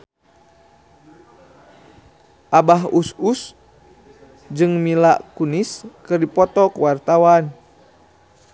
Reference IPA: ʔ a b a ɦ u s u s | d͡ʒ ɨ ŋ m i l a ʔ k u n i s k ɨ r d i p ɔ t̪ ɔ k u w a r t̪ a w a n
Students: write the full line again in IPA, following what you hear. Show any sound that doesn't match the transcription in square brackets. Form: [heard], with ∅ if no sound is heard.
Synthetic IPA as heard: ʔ a b a ɦ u s u s | d͡ʒ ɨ ŋ m i l a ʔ k u n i s k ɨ r d i p ɔ t̪ ɔ k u w a r t̪ a w a n